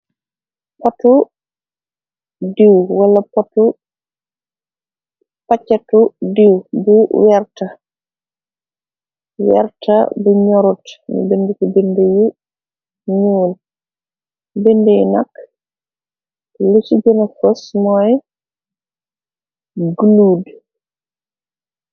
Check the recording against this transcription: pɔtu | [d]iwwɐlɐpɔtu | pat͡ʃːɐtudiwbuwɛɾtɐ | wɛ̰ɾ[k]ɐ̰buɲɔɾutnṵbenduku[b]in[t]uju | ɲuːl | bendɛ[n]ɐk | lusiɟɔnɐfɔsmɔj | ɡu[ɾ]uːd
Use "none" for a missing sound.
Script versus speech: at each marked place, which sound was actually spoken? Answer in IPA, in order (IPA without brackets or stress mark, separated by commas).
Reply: d, t, b, d, n, l